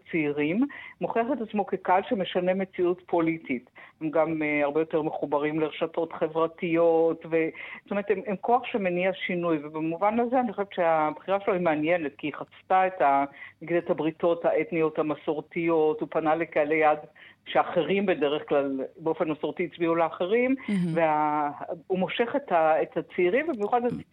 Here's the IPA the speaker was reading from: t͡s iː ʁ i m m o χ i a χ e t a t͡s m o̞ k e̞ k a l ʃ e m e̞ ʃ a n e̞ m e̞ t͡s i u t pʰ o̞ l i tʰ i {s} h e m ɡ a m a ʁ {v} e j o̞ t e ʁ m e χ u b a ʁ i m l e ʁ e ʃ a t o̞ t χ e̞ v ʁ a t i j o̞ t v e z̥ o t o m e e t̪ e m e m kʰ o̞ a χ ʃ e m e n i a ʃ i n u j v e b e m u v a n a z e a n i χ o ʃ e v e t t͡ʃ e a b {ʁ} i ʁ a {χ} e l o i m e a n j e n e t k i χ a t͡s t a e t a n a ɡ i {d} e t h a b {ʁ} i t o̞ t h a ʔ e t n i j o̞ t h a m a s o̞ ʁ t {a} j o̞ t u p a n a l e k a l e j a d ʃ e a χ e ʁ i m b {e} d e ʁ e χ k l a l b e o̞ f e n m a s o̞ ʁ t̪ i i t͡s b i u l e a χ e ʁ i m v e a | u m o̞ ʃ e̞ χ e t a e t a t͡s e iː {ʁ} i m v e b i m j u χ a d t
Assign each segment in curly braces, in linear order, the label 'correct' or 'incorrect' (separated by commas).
incorrect, incorrect, incorrect, incorrect, correct, correct, incorrect, correct, correct